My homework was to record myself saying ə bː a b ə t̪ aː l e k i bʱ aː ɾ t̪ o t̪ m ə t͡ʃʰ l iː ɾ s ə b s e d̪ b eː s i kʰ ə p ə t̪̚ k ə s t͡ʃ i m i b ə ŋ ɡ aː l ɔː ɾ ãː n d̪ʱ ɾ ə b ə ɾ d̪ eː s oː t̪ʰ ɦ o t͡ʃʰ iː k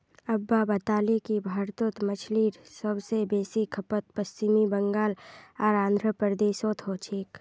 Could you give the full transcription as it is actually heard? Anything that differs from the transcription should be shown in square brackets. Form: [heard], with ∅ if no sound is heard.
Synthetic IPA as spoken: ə bː a b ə t̪ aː l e k i bʱ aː ɾ t̪ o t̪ m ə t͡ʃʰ l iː ɾ s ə b s e [∅] b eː s i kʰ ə p ə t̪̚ [p] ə s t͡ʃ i m i b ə ŋ ɡ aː l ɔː ɾ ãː n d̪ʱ ɾ ə [p] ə ɾ d̪ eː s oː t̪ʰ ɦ o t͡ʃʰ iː k